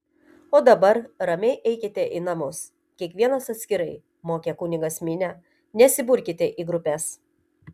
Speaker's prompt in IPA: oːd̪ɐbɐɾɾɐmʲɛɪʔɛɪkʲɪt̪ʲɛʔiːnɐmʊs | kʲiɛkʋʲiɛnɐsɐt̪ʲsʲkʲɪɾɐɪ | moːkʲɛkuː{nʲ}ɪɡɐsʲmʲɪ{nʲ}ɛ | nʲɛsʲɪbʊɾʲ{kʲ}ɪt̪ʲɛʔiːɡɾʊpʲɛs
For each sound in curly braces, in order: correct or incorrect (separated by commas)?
correct, correct, correct